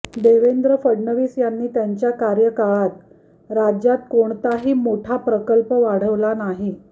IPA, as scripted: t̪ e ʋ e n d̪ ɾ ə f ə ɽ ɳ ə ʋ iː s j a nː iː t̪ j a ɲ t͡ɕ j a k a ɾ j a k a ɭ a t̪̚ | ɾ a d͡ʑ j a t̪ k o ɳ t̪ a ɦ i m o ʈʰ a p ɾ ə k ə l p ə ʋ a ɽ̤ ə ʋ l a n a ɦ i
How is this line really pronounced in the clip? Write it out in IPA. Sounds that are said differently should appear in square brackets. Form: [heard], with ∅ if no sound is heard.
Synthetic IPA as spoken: [d̪] e ʋ e n d̪ ɾ ə f ə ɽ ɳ ə ʋ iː s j a nː iː t̪ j a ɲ t͡ɕ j a k a ɾ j [ə] k a ɭ a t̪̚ | ɾ a d͡ʑ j a t̪ k o ɳ t̪ a ɦ [iː] m o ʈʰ a p ɾ ə k ə l p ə ʋ a ɽ̤ ə ʋ l a n a ɦ i